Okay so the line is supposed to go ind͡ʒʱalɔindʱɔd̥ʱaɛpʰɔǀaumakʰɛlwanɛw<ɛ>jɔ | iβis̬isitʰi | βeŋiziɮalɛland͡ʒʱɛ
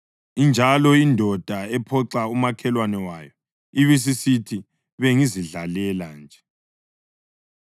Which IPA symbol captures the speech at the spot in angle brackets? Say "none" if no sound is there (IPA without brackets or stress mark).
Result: a